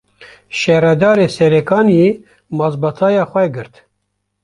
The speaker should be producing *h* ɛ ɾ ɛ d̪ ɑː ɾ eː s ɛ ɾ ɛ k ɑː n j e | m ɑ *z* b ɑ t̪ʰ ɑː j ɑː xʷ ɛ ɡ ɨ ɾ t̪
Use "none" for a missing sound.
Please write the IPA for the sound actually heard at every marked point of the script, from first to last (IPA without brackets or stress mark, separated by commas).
ʃ, z